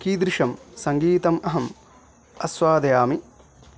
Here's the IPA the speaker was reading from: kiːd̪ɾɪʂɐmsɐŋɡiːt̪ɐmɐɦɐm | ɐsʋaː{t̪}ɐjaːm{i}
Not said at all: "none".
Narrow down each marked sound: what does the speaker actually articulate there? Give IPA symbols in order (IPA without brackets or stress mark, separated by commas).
d̪, i